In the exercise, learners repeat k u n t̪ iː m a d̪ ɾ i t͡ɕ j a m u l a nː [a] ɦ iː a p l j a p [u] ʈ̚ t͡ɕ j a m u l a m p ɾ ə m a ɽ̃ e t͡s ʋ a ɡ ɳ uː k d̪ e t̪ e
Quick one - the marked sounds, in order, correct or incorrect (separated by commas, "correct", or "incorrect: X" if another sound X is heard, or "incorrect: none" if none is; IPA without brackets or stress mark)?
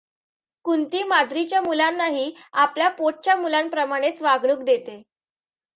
correct, incorrect: o